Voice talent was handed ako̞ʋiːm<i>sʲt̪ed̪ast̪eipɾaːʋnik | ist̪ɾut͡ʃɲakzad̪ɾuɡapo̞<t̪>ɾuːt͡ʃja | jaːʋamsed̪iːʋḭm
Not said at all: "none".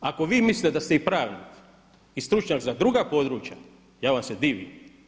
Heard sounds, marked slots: i, d̪

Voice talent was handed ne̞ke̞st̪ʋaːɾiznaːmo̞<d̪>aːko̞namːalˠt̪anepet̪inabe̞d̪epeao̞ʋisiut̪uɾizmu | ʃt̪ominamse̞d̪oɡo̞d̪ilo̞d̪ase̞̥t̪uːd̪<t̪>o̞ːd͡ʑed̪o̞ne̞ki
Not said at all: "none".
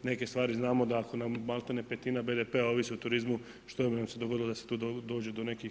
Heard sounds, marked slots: d̪, d̪

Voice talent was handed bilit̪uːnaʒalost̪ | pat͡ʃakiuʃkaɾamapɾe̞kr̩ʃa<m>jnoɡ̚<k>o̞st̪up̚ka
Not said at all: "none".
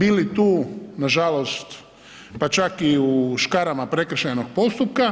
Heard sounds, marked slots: none, p

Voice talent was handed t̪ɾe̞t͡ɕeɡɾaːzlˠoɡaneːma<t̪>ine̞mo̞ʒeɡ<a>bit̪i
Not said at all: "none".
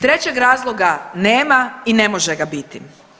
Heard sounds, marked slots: none, a

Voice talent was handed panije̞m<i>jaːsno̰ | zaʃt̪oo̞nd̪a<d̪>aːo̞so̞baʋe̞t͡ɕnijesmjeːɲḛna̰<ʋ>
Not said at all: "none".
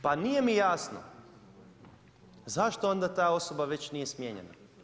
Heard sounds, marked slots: i, t̪, none

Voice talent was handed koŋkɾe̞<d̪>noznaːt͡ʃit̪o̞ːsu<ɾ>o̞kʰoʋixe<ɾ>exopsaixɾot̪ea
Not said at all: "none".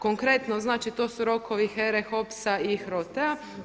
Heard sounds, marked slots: t̪, ɾ, ɾ

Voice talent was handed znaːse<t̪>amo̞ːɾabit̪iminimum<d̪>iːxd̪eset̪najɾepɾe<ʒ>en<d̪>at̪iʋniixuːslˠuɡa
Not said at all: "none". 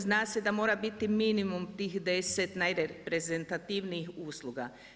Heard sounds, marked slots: d̪, t̪, z, t̪

